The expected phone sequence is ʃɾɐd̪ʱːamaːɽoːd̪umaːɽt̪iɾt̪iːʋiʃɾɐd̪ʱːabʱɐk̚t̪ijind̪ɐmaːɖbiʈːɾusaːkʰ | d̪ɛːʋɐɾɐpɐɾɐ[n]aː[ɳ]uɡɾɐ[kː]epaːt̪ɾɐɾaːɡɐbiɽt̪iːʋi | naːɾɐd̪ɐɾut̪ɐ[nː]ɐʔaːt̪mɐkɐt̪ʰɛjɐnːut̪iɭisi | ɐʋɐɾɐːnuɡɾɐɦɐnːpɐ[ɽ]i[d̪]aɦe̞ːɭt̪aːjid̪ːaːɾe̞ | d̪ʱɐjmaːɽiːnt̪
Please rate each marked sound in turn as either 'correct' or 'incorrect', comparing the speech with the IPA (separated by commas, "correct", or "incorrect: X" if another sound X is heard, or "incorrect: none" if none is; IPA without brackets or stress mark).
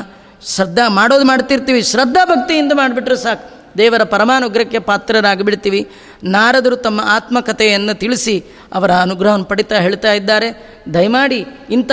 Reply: incorrect: m, incorrect: n, correct, incorrect: mː, correct, incorrect: t̪